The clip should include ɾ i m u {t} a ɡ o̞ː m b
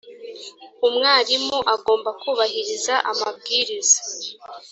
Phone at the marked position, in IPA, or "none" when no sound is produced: ʔ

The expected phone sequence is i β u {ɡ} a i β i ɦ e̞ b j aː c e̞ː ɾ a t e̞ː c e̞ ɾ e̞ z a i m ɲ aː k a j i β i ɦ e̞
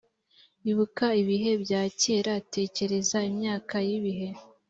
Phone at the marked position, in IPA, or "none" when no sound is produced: k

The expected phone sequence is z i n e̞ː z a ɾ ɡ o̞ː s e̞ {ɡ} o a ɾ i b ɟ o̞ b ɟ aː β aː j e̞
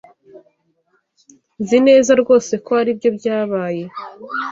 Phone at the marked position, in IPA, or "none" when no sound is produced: k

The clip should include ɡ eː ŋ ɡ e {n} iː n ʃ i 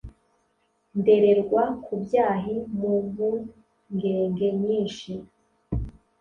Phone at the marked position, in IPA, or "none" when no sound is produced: ɲ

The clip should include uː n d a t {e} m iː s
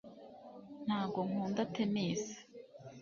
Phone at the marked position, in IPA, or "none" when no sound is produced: e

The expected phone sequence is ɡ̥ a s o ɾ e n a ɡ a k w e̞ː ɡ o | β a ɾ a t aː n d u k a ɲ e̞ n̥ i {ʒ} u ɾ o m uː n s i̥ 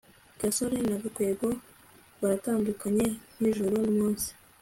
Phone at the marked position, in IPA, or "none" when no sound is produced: ʒ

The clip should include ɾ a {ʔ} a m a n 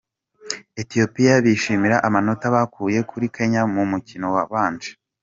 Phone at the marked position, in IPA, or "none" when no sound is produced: ʔ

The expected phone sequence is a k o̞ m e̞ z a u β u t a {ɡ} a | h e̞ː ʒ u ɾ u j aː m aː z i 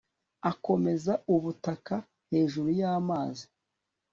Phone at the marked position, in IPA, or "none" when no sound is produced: k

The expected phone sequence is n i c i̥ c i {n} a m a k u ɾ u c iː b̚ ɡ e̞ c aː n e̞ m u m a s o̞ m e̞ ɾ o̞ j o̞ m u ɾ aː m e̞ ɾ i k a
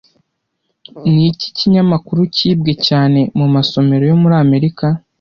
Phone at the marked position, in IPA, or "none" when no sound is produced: ɲ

